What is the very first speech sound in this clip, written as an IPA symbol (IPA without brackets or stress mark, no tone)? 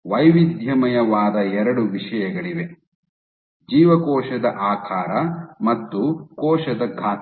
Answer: ʋ